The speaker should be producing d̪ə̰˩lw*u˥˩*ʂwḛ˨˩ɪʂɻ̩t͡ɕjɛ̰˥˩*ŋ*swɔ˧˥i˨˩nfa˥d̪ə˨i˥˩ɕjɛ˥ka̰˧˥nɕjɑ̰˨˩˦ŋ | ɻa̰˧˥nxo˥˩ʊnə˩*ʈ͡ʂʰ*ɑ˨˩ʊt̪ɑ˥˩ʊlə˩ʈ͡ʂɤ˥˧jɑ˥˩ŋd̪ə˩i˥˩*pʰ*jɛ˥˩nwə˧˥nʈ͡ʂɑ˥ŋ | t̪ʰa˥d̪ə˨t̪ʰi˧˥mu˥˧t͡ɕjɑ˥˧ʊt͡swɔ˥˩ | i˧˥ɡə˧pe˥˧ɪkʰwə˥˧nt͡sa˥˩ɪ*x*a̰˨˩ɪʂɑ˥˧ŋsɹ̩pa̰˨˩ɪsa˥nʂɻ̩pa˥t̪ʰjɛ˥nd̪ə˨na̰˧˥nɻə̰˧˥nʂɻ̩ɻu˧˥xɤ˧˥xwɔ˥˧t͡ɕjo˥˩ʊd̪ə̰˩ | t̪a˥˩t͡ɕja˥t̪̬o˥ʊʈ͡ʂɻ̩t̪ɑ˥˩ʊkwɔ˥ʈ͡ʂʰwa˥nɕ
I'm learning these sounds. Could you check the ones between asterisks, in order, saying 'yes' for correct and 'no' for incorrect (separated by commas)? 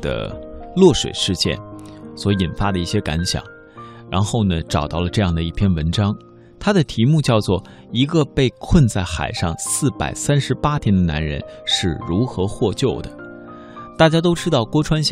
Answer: no, no, no, yes, yes